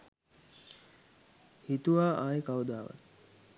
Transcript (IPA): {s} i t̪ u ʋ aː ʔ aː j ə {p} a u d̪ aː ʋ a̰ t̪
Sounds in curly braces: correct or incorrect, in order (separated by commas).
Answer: incorrect, incorrect